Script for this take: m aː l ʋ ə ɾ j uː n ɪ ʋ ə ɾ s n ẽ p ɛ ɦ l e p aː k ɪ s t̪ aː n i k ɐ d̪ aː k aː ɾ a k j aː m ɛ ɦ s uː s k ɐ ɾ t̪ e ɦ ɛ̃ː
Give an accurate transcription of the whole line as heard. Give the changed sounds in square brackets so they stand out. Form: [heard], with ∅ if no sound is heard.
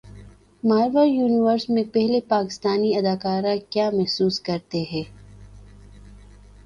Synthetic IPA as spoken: m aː [ɾ] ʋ ə ɾ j uː n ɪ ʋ ə ɾ s [m] ẽ p ɛ ɦ l e p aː k ɪ s t̪ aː n i [∅] ɐ d̪ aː k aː ɾ a k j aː m ɛ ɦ s uː s k ɐ ɾ t̪ e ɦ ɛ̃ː

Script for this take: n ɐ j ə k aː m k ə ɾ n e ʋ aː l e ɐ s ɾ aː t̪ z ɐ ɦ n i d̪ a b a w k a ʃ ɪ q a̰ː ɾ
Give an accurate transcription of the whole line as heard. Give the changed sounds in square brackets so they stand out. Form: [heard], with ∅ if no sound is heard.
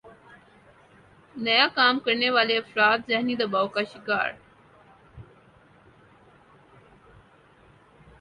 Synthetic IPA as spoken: n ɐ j [a] k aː m k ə ɾ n e ʋ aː l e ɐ [f] ɾ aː t̪ z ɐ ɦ n i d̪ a b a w k a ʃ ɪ [k] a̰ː ɾ

